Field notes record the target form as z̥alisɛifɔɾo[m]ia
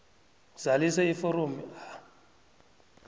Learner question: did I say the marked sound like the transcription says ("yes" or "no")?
yes